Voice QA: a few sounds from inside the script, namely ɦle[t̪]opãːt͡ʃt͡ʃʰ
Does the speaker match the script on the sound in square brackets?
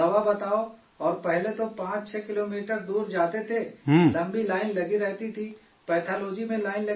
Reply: yes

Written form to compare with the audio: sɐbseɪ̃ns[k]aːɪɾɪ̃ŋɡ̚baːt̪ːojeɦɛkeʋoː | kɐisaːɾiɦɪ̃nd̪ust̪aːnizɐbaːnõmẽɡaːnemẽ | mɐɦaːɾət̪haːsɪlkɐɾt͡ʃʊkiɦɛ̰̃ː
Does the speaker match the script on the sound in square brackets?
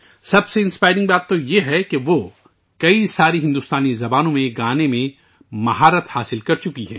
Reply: no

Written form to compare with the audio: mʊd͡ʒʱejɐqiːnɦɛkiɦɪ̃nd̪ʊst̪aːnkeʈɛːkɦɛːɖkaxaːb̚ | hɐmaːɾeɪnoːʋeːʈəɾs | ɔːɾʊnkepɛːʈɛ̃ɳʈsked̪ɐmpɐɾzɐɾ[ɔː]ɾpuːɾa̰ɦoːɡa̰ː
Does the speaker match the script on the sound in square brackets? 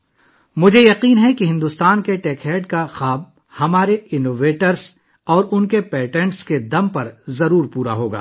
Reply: no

